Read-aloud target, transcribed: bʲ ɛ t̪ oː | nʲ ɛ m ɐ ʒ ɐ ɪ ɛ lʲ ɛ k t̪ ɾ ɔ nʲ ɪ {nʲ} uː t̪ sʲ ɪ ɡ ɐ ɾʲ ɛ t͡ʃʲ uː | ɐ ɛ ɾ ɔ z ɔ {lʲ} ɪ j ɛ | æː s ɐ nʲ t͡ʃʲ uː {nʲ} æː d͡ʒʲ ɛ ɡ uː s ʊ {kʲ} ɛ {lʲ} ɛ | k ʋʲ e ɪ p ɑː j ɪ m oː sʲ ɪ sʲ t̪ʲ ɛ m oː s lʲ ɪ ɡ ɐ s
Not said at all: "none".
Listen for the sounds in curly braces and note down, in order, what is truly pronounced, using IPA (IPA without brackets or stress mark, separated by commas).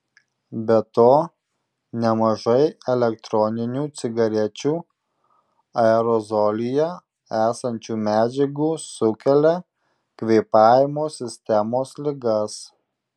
nʲ, lʲ, mʲ, kʲ, lʲ